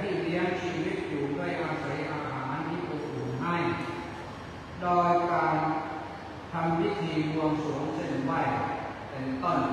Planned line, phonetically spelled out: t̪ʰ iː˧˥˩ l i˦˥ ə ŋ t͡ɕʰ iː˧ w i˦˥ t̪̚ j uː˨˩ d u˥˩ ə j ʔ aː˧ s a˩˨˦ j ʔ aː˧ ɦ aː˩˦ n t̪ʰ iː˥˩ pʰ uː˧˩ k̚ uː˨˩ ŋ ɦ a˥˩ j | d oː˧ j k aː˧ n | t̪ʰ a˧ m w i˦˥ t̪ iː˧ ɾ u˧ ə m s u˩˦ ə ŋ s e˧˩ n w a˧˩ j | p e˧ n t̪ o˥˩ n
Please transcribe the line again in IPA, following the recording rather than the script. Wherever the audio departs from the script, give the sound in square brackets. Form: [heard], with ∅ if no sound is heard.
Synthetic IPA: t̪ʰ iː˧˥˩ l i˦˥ ə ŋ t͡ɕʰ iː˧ w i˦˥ t̪̚ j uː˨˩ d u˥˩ ə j ʔ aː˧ s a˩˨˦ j ʔ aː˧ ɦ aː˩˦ n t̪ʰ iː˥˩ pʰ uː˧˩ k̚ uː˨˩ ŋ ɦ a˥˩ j | d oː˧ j k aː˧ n | t̪ʰ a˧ m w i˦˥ [t̪ʰ] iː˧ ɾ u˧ ə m s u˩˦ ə ŋ s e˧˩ n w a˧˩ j | p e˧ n t̪ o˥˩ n